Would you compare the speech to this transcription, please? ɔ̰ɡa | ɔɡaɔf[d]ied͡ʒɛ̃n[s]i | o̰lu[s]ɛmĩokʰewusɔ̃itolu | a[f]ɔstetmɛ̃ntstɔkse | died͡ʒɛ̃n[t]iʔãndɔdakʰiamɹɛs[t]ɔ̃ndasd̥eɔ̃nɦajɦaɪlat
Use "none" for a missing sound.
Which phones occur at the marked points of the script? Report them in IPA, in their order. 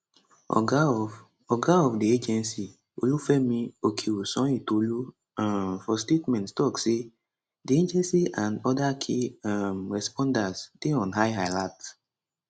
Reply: d, s, f, f, s, p

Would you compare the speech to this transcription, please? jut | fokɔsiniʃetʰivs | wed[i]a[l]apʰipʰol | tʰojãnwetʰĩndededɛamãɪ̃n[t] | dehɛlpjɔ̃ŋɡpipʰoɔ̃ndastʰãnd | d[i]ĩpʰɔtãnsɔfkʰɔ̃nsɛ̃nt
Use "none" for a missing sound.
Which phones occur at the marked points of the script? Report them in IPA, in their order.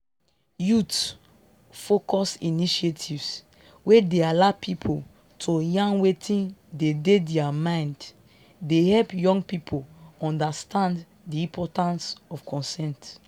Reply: e, l, d, i

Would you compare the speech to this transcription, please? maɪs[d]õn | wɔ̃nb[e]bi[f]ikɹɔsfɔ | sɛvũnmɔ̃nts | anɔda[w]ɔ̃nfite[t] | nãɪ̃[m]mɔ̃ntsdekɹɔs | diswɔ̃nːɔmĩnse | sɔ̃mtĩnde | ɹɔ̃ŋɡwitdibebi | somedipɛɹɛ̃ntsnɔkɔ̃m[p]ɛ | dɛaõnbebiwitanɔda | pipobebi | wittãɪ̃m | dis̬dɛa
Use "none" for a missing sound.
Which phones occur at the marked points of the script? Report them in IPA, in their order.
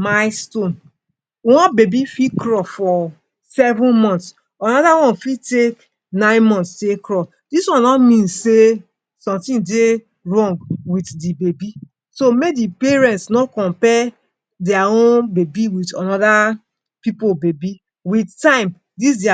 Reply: t, e, f, w, k, n, p

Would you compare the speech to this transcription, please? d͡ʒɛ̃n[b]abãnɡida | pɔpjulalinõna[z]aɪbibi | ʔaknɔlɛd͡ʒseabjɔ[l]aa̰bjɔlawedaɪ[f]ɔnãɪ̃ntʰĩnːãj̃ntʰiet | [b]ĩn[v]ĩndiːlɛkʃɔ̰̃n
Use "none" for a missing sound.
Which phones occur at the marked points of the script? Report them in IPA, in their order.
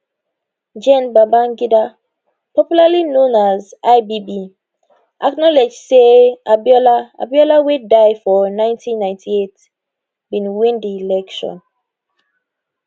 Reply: b, z, l, f, b, w

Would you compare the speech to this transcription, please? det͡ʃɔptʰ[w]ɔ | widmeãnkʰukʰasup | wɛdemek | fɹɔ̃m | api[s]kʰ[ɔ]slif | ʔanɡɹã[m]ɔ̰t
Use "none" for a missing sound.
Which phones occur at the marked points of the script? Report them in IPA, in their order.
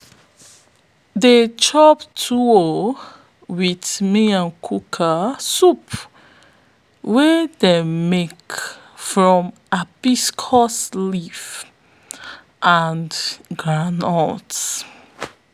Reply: u, s, ɔ, n

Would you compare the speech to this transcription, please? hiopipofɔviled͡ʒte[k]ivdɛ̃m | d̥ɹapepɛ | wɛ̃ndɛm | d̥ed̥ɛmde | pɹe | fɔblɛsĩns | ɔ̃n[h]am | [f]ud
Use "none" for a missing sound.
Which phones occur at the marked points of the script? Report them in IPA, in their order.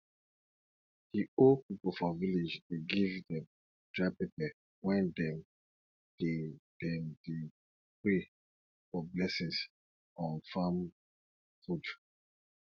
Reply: ɡ, f, f

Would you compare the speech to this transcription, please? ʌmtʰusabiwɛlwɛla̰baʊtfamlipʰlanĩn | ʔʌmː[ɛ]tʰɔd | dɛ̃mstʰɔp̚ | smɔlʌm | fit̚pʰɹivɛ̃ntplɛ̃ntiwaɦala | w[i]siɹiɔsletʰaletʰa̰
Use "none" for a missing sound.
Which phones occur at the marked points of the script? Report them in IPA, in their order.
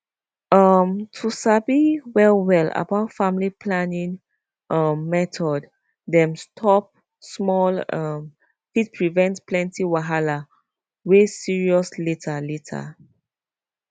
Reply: ɛ, e

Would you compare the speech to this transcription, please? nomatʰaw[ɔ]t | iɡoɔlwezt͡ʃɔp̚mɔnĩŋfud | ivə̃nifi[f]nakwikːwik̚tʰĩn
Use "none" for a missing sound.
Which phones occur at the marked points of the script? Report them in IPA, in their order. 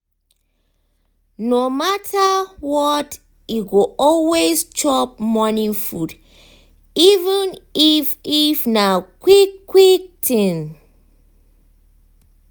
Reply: ɔ, f

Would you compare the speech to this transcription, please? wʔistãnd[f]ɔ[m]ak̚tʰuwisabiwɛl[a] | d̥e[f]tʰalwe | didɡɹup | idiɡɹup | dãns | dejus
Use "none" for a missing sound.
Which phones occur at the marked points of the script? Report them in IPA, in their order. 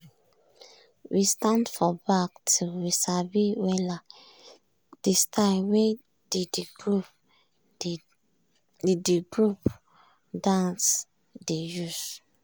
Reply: f, b, a, s

